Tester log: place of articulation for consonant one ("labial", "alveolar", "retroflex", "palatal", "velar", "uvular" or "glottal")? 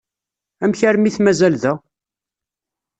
labial